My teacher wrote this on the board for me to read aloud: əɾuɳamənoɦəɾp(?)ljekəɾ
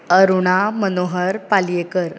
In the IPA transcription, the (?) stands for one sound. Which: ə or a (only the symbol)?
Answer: a